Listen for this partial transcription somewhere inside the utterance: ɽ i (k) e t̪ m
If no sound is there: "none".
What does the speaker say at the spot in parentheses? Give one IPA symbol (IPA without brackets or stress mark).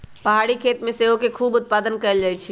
kʰ